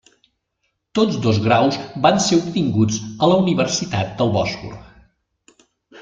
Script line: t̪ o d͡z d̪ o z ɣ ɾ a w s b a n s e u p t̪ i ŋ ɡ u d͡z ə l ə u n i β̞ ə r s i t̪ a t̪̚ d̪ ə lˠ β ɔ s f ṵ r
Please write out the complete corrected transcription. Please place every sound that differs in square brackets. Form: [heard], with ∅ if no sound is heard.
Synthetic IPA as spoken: t̪ o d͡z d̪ o z ɣ ɾ a w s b a n s e u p t̪ i ŋ ɡ u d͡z ə l ə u n i β̞ ə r s i t̪ a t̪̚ d̪ ə lˠ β ɔ s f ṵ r